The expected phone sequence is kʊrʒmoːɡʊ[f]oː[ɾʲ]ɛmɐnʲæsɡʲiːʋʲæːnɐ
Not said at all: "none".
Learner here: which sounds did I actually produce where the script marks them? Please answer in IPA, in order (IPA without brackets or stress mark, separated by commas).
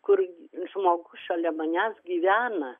ʃ, lʲ